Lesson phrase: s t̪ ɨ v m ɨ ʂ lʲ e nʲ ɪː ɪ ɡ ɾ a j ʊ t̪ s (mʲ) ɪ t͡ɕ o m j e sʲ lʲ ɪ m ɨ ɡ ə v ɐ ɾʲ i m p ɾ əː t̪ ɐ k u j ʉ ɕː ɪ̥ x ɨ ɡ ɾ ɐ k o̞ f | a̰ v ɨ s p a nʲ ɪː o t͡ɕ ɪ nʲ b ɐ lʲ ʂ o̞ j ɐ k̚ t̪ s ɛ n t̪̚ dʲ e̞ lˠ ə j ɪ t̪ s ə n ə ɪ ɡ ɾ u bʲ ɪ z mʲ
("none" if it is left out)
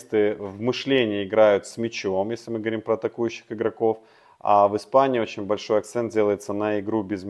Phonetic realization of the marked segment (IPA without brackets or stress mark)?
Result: mʲ